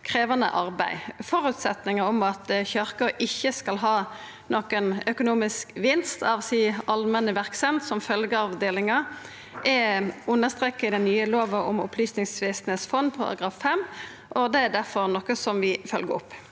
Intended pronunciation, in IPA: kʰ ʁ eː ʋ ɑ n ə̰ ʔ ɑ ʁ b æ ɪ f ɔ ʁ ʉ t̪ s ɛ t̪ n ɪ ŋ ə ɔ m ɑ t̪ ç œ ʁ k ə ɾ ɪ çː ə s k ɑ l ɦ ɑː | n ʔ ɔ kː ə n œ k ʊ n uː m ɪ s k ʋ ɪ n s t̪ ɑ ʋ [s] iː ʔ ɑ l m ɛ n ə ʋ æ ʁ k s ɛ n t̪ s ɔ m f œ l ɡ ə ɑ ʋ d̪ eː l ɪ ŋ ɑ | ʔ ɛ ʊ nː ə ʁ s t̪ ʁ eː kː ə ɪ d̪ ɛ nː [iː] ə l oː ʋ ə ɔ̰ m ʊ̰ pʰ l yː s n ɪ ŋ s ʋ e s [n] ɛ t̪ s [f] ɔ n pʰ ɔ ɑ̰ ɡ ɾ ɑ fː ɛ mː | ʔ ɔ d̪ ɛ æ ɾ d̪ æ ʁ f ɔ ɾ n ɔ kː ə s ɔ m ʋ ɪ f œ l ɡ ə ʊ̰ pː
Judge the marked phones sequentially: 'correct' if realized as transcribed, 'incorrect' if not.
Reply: correct, incorrect: yː, correct, correct

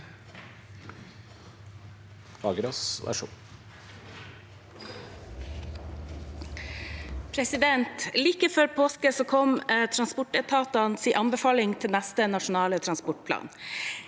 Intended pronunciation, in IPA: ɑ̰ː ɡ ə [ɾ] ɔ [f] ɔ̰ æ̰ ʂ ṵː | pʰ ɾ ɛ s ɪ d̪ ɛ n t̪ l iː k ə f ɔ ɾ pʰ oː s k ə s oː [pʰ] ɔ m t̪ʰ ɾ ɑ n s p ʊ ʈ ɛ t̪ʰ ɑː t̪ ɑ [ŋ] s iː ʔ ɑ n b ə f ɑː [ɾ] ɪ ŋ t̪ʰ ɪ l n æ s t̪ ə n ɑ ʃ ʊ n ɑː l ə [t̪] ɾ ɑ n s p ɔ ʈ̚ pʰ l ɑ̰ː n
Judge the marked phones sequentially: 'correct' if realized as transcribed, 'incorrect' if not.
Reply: correct, incorrect: s, incorrect: kʰ, incorrect: n, incorrect: l, incorrect: t̪ʰ

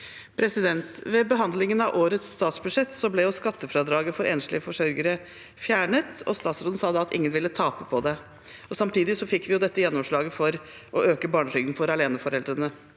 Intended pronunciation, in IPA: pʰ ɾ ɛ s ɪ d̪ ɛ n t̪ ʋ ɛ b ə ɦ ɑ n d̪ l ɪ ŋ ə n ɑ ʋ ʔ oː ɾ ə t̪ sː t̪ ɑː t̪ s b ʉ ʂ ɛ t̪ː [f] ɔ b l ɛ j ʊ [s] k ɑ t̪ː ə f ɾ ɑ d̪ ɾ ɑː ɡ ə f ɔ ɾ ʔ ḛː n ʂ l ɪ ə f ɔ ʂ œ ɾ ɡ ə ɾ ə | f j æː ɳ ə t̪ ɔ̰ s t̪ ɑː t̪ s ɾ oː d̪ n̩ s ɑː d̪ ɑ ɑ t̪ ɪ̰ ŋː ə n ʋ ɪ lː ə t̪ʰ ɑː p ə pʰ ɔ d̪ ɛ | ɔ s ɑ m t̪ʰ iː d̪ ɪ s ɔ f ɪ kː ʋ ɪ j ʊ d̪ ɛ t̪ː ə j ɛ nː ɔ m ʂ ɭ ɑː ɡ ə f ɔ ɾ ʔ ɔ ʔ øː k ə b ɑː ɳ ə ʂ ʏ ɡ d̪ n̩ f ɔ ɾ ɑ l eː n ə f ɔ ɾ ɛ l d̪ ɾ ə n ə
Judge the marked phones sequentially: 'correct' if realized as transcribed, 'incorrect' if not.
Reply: incorrect: s, correct

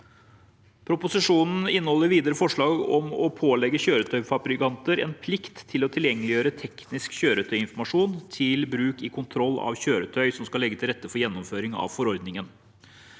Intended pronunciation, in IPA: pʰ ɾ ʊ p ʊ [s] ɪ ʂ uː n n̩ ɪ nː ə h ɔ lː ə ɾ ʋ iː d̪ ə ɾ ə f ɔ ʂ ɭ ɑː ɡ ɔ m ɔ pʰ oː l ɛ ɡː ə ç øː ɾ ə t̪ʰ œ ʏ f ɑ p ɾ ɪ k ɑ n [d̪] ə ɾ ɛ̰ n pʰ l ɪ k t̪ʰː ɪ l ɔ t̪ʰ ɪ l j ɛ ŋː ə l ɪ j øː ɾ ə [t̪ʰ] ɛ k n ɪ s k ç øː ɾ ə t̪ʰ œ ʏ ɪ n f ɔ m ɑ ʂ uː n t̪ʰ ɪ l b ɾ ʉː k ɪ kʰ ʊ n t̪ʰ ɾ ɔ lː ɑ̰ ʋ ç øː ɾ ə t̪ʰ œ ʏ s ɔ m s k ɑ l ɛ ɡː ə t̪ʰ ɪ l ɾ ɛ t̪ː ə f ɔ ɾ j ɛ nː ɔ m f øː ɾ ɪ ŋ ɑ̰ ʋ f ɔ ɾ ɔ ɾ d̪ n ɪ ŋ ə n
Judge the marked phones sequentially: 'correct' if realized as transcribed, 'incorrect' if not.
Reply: correct, incorrect: t̪, correct

